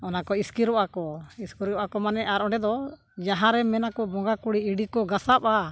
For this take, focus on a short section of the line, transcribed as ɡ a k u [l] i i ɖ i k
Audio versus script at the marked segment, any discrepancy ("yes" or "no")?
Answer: yes